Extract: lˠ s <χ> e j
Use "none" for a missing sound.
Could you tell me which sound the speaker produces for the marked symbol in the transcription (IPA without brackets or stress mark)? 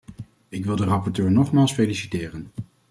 f